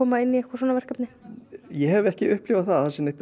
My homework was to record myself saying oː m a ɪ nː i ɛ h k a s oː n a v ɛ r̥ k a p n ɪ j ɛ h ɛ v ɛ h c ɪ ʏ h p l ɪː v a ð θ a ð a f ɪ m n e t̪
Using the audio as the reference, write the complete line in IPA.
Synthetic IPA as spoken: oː m a ɪ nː i ɛ h k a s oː n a v ɛ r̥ k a p n ɪ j ɛ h ɛ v ɛ h c ɪ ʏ h p l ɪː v a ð θ a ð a s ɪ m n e t̪